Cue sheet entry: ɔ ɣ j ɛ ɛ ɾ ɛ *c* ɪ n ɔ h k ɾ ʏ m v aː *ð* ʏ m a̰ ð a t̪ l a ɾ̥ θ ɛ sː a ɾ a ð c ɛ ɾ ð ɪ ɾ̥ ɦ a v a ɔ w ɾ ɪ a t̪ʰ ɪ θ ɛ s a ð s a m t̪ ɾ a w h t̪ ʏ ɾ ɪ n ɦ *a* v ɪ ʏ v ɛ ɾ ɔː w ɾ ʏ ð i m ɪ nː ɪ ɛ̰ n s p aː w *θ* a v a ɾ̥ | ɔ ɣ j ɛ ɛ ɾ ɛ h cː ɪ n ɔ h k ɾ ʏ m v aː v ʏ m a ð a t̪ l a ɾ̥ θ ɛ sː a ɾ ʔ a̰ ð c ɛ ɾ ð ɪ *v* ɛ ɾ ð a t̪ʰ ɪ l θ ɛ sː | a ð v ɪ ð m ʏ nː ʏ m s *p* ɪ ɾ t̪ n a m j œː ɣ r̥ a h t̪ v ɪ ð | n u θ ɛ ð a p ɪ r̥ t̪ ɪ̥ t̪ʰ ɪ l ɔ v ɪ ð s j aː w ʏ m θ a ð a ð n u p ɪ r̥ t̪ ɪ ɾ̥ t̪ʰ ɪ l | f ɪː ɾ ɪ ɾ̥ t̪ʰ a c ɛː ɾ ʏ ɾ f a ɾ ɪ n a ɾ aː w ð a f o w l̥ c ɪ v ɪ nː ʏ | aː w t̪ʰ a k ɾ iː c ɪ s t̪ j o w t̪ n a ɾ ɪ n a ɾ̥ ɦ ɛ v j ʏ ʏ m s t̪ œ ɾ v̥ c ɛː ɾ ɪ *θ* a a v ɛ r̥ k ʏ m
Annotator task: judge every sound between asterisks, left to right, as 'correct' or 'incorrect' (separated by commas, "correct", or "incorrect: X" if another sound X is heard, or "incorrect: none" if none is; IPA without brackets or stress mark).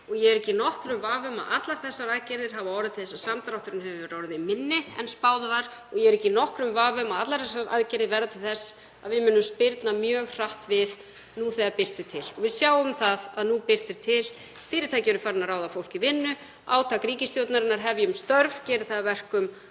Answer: correct, incorrect: v, incorrect: ɛ, incorrect: ð, correct, correct, correct